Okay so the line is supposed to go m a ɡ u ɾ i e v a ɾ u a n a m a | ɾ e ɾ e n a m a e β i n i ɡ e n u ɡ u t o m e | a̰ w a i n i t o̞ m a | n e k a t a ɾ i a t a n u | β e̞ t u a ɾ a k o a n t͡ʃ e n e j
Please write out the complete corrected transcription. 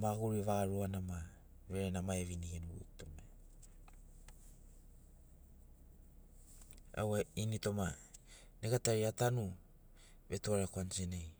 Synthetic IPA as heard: m a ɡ u ɾ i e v a ɾ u a n a m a | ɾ e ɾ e n a m a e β i n i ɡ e n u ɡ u t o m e | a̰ w a i n i t o̞ m a | n e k a t a ɾ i a t a n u | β e̞ t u a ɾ a k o a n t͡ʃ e n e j